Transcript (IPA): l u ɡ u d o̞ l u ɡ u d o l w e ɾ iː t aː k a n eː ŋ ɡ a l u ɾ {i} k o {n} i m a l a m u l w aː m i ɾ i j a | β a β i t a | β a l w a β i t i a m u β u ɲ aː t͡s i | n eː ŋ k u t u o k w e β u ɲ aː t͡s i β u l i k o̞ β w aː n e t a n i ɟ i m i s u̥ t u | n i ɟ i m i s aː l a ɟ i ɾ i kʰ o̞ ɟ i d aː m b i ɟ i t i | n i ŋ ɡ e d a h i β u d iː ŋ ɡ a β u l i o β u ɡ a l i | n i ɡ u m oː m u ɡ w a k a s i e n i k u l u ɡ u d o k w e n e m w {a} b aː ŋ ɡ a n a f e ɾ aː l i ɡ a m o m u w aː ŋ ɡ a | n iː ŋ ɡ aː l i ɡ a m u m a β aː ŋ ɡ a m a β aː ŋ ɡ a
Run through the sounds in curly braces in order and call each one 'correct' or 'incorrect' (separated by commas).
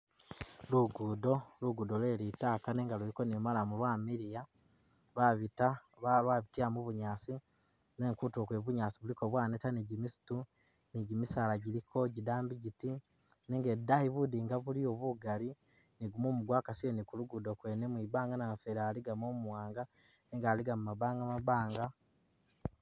correct, correct, incorrect